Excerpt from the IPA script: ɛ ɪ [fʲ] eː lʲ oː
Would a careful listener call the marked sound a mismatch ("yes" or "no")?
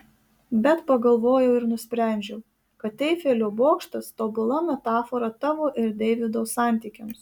no